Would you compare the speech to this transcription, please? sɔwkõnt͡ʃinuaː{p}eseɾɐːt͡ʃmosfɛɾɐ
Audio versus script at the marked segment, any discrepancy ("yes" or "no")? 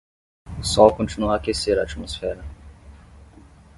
yes